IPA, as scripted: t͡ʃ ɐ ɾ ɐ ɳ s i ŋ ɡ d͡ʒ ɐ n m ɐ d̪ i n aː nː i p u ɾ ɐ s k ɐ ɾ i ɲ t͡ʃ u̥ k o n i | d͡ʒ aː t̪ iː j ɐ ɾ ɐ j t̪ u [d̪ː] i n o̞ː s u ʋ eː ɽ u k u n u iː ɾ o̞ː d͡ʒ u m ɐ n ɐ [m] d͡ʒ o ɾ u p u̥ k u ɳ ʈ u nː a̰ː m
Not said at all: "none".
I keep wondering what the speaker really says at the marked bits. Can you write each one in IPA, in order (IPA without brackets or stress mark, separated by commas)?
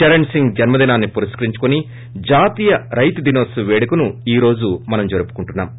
d̪, m